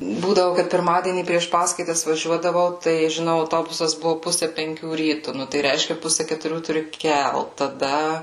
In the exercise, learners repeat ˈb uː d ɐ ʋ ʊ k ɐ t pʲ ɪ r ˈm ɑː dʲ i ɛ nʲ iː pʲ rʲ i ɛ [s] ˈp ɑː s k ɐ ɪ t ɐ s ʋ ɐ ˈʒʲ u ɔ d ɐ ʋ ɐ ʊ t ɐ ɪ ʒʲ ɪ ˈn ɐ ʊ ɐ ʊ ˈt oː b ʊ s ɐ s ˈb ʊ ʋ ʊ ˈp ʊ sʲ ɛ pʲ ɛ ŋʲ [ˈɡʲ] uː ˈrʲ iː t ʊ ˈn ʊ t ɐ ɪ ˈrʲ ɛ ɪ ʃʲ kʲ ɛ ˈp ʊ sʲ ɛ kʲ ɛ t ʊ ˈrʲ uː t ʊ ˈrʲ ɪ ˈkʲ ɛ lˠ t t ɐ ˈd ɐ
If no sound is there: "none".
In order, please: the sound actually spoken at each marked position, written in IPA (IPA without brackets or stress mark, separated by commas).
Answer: ʃ, kʲ